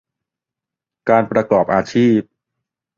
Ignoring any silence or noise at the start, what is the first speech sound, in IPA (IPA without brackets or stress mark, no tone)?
k